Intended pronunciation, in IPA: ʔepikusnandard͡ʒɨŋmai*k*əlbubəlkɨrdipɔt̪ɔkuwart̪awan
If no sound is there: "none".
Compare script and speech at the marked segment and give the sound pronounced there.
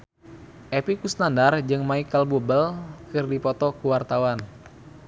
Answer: k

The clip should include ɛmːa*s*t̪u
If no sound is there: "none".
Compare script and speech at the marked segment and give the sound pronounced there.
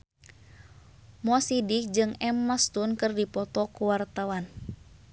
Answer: s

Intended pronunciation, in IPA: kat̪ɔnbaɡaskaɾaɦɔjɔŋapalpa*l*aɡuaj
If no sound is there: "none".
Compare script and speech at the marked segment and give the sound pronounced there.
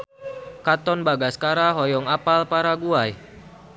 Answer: ɾ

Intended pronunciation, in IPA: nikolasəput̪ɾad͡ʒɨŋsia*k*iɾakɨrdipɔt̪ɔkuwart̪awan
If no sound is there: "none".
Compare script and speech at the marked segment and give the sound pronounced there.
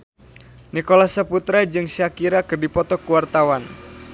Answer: k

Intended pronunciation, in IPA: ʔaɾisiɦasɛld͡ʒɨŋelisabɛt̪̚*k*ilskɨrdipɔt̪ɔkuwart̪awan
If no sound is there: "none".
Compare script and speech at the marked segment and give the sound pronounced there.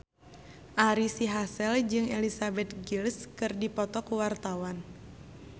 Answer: ɡ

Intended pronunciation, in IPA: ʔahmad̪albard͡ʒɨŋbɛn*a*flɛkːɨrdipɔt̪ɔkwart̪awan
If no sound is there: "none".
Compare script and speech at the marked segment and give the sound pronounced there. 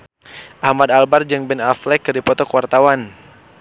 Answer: a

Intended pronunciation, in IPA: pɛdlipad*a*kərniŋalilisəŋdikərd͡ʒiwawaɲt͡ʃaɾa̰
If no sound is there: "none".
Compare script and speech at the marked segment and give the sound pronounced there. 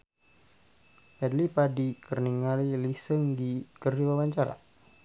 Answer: i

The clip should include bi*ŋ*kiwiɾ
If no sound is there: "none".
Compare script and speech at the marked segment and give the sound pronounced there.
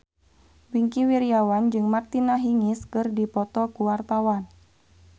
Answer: ŋ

